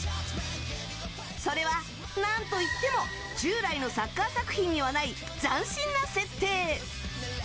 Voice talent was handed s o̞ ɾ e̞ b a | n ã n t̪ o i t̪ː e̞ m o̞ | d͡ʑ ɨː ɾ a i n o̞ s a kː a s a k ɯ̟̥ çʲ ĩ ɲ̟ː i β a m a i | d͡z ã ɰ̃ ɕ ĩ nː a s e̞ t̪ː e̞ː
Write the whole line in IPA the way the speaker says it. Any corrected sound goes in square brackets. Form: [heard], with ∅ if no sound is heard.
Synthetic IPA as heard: s o̞ ɾ e̞ [β] a | n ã n t̪ o i t̪ː e̞ m o̞ | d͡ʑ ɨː ɾ a i n o̞ s a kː a s a k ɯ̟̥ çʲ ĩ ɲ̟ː i β a [n] a i | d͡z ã ɰ̃ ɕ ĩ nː a s e̞ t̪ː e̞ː